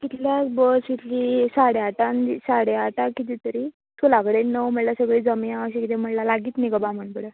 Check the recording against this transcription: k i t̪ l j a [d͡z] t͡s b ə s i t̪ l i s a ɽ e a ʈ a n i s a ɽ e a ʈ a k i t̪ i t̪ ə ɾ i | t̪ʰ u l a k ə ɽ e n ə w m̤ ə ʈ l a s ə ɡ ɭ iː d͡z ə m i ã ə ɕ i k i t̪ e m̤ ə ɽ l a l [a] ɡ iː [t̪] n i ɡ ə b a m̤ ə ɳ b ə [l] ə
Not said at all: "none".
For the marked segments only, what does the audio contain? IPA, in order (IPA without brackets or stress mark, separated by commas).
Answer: none, a, t̪, ɽ